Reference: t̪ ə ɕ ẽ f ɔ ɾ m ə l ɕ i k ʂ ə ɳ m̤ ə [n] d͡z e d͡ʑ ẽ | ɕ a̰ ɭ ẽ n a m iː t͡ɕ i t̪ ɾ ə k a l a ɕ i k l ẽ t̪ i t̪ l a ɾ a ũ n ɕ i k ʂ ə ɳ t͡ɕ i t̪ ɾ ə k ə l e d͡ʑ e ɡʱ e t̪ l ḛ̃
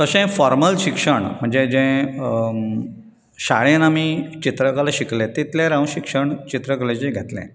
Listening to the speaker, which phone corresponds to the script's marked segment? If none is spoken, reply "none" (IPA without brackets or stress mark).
ɳ